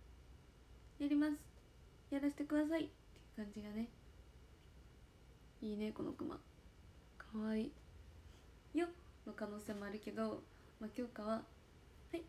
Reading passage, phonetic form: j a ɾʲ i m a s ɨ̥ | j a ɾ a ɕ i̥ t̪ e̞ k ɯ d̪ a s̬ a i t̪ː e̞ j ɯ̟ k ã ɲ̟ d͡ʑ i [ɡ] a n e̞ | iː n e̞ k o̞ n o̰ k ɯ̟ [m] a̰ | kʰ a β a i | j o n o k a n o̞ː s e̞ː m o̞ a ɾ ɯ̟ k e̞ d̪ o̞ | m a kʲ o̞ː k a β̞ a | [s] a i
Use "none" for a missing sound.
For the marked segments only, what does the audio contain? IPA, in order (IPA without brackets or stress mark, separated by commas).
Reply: ɡ, m, h